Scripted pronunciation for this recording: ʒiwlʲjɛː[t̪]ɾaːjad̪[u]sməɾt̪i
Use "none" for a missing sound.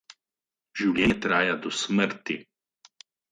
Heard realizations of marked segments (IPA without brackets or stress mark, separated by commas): t̪, ɔ